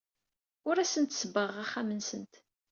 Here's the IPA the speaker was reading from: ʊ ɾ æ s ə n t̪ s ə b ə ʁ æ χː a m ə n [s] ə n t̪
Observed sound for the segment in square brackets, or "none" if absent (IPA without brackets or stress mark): s